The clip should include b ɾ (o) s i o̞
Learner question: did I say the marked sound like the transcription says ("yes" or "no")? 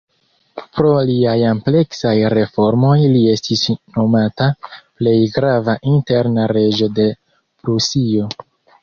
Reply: no